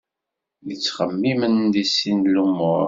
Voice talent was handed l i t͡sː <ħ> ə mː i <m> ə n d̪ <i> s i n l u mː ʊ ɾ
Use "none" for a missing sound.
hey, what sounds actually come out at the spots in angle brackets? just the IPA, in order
χ, m, i

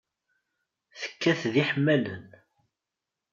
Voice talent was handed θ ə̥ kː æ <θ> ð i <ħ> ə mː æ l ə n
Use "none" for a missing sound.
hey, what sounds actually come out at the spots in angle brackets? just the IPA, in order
θ, ħ

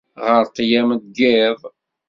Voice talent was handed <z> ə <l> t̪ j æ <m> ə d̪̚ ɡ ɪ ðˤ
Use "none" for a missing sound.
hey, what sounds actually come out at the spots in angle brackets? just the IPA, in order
ʁ, ɾ, m

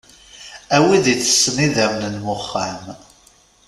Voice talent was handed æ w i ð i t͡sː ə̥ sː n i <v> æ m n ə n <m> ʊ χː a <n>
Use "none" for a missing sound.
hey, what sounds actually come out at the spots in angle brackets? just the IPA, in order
ð, m, m

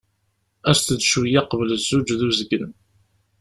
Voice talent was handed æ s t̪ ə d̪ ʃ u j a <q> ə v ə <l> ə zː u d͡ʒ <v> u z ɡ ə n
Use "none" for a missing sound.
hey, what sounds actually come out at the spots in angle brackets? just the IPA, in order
q, l, ð

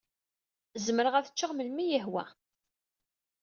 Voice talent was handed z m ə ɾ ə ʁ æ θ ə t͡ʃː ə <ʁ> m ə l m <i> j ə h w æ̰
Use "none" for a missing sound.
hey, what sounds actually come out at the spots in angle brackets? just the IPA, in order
ʁ, i

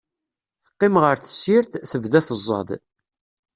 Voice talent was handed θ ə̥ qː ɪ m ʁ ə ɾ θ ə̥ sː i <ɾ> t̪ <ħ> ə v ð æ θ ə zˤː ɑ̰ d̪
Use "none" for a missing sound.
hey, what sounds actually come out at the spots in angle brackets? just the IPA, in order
ɾ, θ

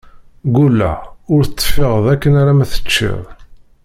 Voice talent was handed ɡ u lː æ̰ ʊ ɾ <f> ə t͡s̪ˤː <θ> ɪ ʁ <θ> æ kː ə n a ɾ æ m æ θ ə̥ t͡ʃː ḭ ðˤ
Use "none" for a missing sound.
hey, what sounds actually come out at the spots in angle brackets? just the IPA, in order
θ, f, ð

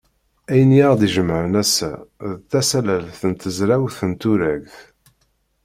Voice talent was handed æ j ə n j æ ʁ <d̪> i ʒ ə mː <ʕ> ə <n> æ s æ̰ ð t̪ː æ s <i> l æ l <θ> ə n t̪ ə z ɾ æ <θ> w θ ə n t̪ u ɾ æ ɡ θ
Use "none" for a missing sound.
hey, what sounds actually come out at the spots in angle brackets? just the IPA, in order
d̪, ʕ, n, æ, θ, none

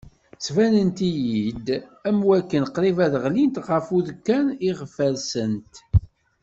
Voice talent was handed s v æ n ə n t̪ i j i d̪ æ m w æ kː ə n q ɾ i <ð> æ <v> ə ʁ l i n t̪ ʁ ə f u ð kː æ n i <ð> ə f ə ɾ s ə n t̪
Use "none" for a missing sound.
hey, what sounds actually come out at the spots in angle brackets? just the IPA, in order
v, ð, ʁ

